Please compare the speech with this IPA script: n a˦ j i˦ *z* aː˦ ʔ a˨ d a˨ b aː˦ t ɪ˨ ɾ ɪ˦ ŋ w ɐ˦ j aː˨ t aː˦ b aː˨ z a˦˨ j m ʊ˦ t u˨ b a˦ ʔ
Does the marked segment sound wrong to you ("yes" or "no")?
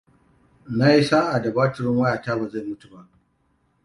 yes